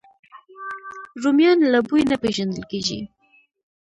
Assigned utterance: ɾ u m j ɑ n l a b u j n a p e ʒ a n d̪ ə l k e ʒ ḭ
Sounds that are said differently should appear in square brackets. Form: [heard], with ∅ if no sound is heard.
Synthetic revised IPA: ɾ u m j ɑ n l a b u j n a p e ʒ a n d̪ ə l k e ʒ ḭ